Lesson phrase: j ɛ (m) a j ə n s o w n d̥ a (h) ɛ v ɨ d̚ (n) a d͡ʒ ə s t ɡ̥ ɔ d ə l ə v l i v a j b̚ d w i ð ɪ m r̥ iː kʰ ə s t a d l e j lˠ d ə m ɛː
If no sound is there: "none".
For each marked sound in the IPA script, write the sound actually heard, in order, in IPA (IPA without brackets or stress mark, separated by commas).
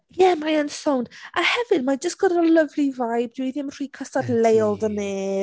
m, h, m